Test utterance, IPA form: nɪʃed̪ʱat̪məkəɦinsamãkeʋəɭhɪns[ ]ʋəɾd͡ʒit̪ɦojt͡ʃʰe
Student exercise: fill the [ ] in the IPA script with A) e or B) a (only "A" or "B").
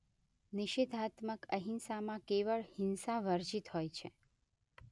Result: B